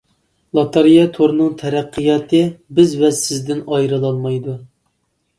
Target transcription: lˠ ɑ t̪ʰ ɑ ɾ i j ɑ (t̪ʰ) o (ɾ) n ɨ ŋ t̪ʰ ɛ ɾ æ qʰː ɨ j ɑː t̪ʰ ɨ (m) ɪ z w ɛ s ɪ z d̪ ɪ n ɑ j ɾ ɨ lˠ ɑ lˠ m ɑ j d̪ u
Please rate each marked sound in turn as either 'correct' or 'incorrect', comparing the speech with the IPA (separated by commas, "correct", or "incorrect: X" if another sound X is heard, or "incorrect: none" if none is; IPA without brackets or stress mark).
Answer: correct, correct, incorrect: b